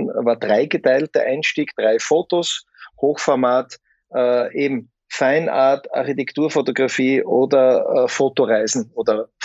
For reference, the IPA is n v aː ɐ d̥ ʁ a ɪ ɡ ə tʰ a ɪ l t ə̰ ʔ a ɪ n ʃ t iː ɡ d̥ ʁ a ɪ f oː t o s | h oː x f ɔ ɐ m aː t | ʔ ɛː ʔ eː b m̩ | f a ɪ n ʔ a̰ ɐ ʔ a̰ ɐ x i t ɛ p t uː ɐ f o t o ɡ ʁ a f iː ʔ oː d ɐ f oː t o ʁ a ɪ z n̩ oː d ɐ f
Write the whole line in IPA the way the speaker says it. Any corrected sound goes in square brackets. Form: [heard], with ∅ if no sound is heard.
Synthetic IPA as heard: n v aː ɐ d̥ ʁ a ɪ ɡ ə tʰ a ɪ l t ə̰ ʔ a ɪ n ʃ t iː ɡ d̥ ʁ a ɪ f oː t o s | h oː x f ɔ ɐ m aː t | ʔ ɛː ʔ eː b m̩ | f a ɪ n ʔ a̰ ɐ [t] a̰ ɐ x i t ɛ [k] t uː ɐ f o t o ɡ ʁ a f iː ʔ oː d ɐ f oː t o ʁ a ɪ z n̩ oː d ɐ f